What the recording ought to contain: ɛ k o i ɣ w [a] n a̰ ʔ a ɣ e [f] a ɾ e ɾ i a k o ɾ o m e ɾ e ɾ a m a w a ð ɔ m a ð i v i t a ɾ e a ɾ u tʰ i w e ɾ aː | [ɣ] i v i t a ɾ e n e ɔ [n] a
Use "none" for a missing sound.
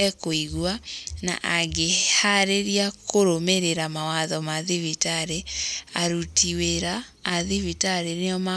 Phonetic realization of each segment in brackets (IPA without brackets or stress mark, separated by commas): a, h, ð, m